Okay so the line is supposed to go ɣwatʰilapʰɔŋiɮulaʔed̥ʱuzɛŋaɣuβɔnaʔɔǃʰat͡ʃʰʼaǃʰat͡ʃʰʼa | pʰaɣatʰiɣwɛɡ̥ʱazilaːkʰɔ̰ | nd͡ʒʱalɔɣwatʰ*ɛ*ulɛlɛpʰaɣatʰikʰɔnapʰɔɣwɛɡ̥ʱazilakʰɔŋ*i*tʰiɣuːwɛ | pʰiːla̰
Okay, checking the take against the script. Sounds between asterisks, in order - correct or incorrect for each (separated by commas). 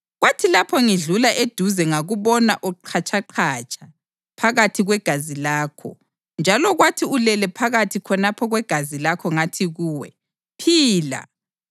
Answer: incorrect, incorrect